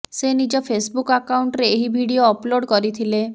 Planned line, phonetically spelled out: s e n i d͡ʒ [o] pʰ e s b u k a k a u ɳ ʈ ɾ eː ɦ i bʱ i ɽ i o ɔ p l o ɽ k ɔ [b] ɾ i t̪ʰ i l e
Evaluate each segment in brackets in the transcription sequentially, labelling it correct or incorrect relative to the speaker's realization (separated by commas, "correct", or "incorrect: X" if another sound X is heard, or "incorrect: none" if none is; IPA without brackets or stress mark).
incorrect: ɔ, incorrect: none